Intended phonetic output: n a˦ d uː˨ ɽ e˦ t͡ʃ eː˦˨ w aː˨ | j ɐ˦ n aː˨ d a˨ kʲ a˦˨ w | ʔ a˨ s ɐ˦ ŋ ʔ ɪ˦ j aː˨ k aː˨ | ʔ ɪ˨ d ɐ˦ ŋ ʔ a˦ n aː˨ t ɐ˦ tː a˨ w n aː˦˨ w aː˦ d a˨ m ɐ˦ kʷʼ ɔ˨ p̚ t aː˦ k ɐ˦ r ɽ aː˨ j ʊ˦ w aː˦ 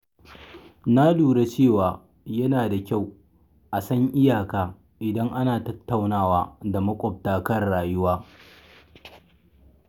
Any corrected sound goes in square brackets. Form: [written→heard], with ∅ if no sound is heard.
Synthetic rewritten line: n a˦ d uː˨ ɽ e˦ t͡ʃ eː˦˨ w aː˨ | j ɐ˦ n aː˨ d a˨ kʲ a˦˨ w | ʔ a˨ s ɐ˦ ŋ ʔ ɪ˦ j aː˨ k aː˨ | ʔ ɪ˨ d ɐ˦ ŋ ʔ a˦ n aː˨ t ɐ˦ tː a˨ w n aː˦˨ w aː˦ d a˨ m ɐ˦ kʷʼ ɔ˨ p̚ t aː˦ k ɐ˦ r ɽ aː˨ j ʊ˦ w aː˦